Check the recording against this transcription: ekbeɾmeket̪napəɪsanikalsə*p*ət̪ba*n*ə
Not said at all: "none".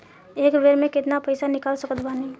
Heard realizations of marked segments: k, n

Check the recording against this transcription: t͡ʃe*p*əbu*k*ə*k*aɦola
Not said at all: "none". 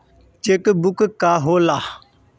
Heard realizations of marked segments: k, k, k

